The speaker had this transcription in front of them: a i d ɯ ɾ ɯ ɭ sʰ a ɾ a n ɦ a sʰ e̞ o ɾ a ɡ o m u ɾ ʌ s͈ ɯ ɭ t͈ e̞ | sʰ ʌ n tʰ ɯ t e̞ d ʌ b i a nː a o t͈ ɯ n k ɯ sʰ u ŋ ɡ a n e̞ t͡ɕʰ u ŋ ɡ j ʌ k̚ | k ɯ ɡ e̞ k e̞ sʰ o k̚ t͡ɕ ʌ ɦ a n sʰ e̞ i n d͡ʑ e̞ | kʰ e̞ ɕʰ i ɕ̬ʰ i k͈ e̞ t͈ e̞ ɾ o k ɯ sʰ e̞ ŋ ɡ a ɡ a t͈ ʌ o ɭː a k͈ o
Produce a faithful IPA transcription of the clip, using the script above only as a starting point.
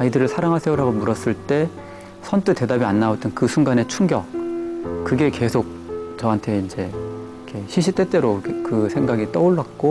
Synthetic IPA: a i d ɯ ɾ ɯ ɭ sʰ a ɾ a ŋ ɦ a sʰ e̞ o ɾ a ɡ o m u ɾ ʌ s͈ ɯ ɭ t͈ e̞ | sʰ ʌ n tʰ ɯ t e̞ d a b i a nː a o t͈ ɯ n k ɯ sʰ u ŋ ɡ a n e̞ t͡ɕʰ u ŋ ɡ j ʌ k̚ | k ɯ ɡ e̞ k e̞ sʰ o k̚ t͡ɕ ʌ ɦ a n tʰ e̞ i n d͡ʑ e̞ | kʰ e̞ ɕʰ i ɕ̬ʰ i t͈ e̞ t͈ e̞ ɾ o k ɯ sʰ e̞ ŋ ɡ a ɡ i t͈ ʌ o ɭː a k͈ o

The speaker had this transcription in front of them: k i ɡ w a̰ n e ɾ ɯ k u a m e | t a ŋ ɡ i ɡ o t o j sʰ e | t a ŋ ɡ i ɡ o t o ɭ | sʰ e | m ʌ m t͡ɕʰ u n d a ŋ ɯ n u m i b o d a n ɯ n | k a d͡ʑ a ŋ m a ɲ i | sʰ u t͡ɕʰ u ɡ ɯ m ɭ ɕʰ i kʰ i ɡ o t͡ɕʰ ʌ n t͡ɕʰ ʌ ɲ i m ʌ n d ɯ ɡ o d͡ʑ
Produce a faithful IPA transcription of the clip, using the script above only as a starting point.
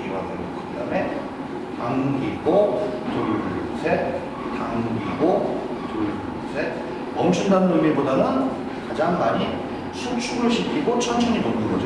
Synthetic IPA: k i ɡ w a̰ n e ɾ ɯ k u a m e | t a ŋ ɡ i ɡ o t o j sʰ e | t a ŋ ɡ i ɡ o t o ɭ | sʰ e | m ʌ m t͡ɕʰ u n d a n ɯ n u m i b o d a n ɯ n | k a d͡ʑ a ŋ m a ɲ i | sʰ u t͡ɕʰ u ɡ ɯ ɭ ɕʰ i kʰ i ɡ o t͡ɕʰ ʌ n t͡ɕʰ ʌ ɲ i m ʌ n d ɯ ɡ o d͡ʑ

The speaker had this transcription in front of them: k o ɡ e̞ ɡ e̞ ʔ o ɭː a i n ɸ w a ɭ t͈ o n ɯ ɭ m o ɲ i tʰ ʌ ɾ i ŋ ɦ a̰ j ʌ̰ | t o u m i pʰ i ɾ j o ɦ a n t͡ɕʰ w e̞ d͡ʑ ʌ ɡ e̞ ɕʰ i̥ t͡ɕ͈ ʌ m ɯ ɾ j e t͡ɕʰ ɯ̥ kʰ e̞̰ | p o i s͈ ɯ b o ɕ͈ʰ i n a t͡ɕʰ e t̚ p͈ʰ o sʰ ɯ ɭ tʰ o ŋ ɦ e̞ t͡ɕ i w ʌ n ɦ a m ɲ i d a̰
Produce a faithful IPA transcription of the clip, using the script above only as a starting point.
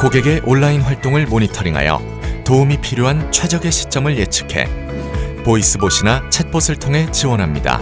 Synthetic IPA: k o ɡ e̞ ɡ e̞ ʔ o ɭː a i n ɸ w a ɭ t͈ o ŋ ɯ ɭ m o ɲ i tʰ ʌ ɾ i ŋ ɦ a̰ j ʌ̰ | t o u m i pʰ i ɾ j o ɦ a n t͡ɕʰ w e̞ d͡ʑ ʌ ɡ e̞ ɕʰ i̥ t͡ɕ͈ ʌ m ɯ ɭ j e t͡ɕʰ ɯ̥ kʰ e̞̰ | p o i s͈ ɯ b o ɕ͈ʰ i n a t͡ɕʰ e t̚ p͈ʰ o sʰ ɯ ɭ tʰ o ŋ ɦ e̞ t͡ɕ i w ʌ n ɦ a m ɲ i d a̰

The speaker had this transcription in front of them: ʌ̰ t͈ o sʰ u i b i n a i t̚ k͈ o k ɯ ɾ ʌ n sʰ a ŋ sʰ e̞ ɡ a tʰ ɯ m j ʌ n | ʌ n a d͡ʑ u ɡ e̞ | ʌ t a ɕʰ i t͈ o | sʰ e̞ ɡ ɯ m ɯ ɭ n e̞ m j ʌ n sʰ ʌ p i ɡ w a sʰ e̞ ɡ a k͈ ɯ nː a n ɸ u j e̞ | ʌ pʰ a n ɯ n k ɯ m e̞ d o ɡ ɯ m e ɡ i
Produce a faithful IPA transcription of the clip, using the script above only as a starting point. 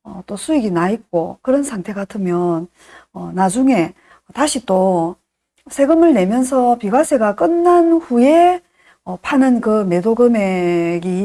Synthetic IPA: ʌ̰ t͈ o sʰ u i ɡ i n a i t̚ k͈ o k ɯ ɾ ʌ n sʰ a ŋ tʰ e̞ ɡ a tʰ ɯ m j ʌ n | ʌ n a d͡ʑ u ŋ e̞ | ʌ t a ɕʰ i t͈ o | sʰ e̞ ɡ ɯ m ɯ ɭ n e̞ m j ʌ n sʰ ʌ p i ɡ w a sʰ e̞ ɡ a k͈ ɯ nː a n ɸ u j e̞ | ʌ pʰ a n ɯ n k ɯ m e̞ d o ɡ ɯ m e ɡ i

